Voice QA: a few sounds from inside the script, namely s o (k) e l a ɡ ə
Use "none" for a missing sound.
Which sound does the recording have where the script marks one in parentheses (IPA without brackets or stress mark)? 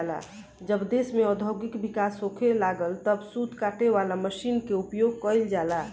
kʰ